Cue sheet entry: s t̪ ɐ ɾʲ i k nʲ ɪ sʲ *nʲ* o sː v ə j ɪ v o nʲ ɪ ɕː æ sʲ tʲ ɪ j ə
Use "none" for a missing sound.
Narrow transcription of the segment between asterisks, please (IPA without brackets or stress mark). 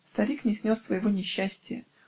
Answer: nʲ